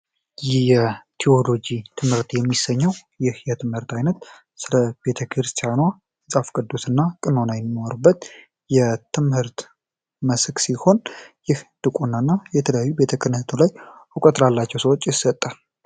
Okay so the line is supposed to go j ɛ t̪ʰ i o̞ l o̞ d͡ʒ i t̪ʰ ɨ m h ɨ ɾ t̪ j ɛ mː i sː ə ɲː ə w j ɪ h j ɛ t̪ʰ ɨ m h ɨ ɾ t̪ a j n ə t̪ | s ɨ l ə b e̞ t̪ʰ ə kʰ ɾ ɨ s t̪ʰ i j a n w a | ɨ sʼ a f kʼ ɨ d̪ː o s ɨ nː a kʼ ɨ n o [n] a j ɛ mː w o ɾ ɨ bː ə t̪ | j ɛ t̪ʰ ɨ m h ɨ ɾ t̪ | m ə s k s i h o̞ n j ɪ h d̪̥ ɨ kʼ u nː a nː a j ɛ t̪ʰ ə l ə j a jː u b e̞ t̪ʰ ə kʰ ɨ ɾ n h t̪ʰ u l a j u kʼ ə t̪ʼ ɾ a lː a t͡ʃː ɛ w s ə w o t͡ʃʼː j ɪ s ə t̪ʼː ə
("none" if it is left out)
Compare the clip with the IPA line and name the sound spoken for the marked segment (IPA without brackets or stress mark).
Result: n